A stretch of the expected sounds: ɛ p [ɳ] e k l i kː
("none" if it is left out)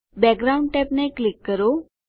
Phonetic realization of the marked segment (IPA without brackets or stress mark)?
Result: n